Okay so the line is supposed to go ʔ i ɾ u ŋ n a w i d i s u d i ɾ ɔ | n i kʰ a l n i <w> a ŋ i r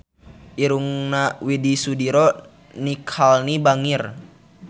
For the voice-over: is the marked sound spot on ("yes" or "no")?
no